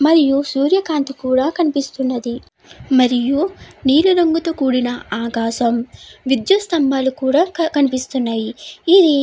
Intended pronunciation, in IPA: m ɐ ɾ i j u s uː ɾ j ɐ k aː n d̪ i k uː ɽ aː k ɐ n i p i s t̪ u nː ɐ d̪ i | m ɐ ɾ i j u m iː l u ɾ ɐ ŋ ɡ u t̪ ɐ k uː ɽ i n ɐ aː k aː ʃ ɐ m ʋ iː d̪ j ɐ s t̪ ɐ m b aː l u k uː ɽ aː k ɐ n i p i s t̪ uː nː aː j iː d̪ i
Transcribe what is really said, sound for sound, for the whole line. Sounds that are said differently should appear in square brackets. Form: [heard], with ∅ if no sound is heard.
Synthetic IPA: m ɐ ɾ i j u s uː ɾ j ɐ k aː n [t̪] i k uː ɽ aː k ɐ n i p i s t̪ u nː ɐ d̪ i | m ɐ ɾ i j u [n] iː l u ɾ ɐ ŋ ɡ u t̪ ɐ k uː ɽ i n ɐ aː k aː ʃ ɐ m ʋ [i] d̪ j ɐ s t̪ ɐ m b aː l u k uː ɽ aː k ɐ n i p i s t̪ [u] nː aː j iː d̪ i